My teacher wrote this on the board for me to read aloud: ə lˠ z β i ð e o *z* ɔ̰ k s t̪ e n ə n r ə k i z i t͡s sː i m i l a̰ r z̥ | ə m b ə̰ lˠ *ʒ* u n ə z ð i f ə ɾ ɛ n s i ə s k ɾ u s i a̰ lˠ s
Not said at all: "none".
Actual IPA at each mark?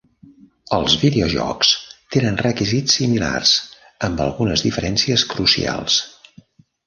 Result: ʒ, ɣ

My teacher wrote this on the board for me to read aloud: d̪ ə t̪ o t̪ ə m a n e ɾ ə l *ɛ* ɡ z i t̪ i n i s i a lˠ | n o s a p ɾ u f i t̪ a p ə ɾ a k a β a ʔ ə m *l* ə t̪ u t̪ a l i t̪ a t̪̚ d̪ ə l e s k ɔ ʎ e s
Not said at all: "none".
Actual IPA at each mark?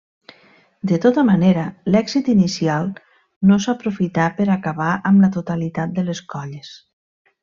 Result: ɛ, l

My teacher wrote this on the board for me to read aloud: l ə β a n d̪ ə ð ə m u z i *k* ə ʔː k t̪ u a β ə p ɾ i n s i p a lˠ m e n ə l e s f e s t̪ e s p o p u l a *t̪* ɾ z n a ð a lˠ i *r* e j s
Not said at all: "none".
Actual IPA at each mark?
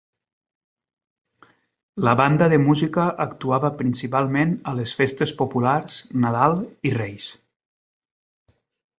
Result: k, none, r

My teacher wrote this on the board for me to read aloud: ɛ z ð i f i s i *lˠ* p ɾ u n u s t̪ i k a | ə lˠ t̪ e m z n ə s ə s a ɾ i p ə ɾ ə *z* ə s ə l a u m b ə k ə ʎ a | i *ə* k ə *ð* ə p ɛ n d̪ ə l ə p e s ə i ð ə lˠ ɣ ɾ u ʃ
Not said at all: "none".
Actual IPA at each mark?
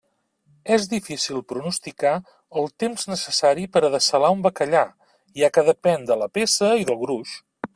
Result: lˠ, ð, a, ð

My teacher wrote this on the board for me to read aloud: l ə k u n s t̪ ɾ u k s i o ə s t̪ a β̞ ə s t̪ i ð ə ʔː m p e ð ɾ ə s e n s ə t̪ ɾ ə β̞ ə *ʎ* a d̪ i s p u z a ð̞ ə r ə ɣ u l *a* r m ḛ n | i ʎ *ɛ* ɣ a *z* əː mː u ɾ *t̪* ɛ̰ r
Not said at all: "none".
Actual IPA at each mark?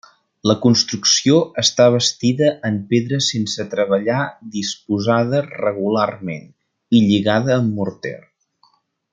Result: ʎ, a, i, ð, t̪

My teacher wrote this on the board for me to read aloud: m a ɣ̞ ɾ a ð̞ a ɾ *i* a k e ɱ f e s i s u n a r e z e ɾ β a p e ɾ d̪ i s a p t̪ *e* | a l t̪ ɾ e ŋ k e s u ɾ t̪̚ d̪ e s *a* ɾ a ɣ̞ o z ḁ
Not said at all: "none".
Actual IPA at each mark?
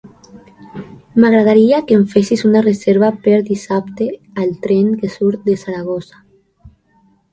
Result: i, e, a

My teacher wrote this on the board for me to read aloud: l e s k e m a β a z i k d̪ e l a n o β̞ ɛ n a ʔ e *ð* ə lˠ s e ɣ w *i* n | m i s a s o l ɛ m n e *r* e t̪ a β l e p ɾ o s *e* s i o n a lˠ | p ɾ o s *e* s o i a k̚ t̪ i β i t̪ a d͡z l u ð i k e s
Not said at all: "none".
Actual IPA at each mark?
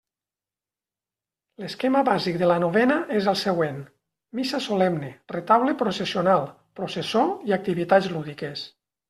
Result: z, e, r, e, e

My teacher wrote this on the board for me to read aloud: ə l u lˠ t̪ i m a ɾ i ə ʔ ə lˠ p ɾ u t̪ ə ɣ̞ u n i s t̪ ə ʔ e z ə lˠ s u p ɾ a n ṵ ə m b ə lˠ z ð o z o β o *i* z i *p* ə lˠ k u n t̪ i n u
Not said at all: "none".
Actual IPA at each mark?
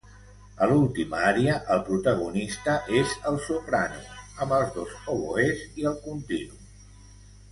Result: e, none

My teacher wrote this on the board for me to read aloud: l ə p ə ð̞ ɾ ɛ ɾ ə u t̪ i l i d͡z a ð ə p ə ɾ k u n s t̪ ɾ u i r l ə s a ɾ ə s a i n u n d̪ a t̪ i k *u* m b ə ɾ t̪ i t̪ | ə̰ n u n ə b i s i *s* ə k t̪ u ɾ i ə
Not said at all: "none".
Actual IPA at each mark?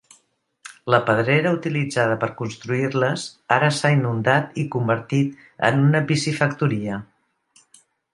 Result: u, f

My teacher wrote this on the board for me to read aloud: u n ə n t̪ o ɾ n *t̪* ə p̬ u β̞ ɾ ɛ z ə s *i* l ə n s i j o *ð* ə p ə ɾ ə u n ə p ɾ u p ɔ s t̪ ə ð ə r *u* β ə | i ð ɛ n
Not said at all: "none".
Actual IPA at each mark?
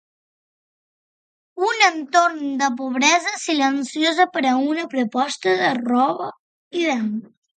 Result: d̪, i, z, ɔ

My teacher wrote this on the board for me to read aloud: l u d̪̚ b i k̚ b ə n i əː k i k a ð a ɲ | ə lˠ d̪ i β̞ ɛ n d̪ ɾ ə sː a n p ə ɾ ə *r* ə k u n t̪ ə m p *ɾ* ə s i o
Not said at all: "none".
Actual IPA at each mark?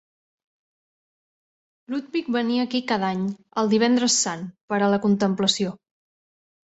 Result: l, l

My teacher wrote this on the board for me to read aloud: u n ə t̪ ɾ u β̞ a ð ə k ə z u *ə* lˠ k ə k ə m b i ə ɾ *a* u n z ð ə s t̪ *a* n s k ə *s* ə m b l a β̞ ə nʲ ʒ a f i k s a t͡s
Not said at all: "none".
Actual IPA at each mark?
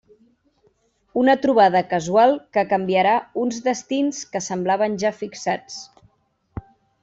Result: a, a, i, s

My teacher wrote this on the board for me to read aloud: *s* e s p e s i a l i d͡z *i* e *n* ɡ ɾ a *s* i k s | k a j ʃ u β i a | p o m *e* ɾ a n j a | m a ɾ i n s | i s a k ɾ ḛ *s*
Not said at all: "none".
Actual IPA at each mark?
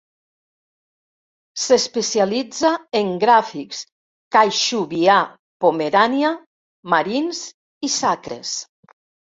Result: s, a, ŋ, f, e, s

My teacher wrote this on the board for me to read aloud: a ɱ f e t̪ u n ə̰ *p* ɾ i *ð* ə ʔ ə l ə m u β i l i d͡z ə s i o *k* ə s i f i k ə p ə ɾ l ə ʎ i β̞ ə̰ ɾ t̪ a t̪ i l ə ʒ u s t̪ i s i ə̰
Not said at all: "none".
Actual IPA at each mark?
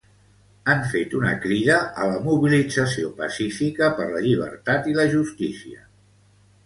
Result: k, ð, p

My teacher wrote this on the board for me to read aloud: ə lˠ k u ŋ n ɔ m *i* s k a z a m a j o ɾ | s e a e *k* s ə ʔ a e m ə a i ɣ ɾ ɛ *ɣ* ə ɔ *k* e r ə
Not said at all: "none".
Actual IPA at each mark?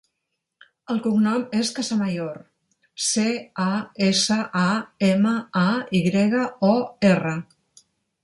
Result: e, none, ɣ, none

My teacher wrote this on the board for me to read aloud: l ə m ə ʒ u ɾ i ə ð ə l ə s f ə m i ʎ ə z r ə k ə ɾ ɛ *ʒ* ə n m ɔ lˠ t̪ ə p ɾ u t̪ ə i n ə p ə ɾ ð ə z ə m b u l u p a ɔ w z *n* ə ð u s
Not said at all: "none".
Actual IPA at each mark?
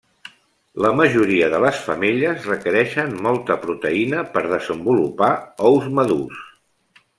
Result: ʃ, m

